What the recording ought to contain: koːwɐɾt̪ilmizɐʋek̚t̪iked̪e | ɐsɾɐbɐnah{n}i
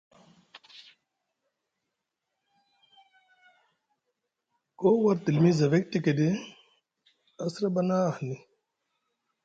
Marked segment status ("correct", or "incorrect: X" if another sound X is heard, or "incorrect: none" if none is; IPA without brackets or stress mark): correct